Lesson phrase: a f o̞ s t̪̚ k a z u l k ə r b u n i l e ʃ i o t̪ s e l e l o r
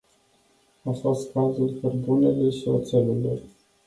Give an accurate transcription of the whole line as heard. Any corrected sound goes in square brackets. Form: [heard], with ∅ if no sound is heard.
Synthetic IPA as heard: a f o̞ s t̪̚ k a z u l k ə r b u n [e] l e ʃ i o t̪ s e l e l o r